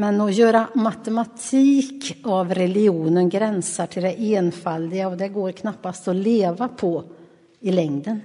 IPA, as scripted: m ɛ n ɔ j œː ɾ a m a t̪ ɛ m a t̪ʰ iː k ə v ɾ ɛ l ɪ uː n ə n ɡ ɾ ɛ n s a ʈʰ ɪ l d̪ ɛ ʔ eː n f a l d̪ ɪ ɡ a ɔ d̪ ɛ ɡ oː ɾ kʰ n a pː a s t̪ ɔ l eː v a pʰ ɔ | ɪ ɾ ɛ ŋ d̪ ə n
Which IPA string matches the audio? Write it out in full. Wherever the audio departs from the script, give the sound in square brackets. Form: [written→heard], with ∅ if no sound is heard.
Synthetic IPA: m ɛ n ɔ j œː ɾ a m a t̪ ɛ m a t̪ʰ iː k [ə→a] v ɾ ɛ l ɪ uː n ə n ɡ ɾ ɛ n s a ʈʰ ɪ l d̪ ɛ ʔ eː n f a l d̪ ɪ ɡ a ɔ d̪ ɛ ɡ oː ɾ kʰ n a pː a s t̪ ɔ l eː v a pʰ ɔ | ɪ [ɾ→l] ɛ ŋ d̪ ə n